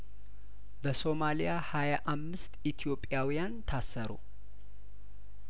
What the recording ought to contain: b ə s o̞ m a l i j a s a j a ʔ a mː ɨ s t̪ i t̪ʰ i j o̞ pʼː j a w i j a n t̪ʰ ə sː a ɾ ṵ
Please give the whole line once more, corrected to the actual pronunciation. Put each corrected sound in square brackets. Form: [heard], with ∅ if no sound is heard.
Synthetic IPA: b ə s o̞ m a l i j a [h] a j a ʔ a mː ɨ s t̪ i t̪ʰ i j o̞ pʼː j a w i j a n t̪ʰ [a] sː [ə] ɾ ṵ